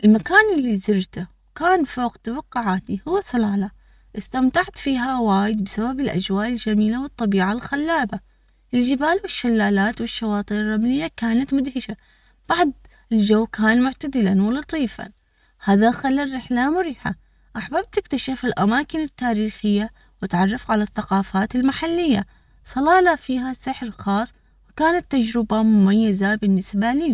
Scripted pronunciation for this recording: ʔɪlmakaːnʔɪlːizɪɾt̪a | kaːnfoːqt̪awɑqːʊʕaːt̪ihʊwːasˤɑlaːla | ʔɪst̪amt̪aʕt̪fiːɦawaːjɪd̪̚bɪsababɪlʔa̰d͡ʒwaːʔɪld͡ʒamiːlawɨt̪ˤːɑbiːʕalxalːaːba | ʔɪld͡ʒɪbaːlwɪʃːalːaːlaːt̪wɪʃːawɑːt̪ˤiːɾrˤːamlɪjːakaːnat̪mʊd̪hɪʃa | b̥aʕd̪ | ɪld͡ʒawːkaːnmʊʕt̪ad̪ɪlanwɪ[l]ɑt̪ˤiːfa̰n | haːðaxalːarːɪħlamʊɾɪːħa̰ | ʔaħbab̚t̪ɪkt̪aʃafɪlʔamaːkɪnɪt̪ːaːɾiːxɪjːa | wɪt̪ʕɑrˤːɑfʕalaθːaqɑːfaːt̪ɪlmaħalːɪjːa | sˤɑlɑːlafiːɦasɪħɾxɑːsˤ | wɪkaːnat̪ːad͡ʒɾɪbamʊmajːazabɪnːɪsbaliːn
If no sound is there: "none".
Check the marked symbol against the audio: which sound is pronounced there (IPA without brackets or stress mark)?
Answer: l